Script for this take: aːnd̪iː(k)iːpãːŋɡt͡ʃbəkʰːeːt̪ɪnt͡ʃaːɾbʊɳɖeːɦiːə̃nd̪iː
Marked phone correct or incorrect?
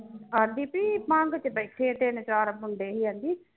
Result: incorrect